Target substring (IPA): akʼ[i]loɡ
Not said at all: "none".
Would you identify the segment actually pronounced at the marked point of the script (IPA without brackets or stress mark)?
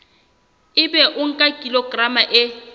i